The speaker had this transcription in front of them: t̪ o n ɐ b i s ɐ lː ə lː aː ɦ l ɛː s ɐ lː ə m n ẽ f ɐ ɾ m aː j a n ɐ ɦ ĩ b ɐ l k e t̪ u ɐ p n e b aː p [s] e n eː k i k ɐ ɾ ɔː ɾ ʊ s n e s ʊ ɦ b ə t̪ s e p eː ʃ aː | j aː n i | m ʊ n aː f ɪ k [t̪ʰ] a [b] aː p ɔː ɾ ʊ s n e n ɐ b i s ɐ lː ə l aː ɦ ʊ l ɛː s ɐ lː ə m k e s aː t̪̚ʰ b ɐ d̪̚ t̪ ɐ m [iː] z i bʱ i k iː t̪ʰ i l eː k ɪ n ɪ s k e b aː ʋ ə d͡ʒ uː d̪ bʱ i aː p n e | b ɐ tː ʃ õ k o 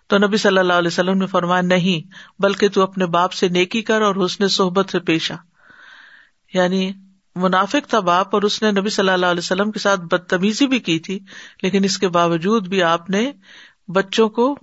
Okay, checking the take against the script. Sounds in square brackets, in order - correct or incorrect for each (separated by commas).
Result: correct, correct, correct, correct